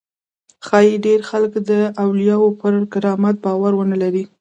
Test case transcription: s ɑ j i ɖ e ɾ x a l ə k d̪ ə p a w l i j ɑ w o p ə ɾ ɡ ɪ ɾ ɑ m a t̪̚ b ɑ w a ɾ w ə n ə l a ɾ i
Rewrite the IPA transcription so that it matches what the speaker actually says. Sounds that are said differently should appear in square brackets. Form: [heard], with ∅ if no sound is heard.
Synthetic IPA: [x] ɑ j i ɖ e ɾ x a l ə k d̪ ə [∅] a w l i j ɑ w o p ə ɾ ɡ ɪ ɾ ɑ m a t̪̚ b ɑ w a ɾ w ə n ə l a ɾ i